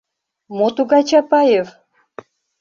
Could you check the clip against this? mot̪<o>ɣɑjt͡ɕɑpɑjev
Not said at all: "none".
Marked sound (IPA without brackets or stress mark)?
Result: u